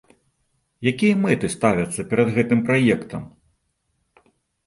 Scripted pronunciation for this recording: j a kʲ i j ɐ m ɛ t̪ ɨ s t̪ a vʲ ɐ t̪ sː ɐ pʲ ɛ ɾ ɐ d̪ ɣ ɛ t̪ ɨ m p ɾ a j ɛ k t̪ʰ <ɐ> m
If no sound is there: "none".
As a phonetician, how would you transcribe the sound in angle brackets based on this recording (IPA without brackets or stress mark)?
ɐ